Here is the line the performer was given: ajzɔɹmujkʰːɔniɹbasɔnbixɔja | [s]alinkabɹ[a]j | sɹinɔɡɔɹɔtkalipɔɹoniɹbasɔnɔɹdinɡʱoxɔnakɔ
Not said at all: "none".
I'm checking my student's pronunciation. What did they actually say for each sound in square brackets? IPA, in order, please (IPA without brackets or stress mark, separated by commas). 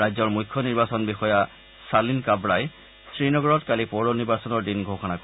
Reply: s, a